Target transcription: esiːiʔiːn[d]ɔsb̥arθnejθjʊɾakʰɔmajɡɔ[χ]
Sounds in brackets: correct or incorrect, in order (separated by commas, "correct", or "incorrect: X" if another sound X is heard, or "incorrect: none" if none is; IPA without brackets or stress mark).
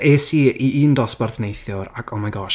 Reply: correct, incorrect: ʃ